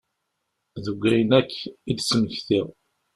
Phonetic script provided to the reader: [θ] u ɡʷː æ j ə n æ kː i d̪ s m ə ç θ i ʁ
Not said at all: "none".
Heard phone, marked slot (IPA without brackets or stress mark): ð